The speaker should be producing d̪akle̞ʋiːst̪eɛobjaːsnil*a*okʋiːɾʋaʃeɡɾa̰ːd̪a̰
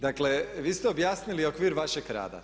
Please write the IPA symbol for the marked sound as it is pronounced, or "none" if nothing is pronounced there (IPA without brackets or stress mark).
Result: i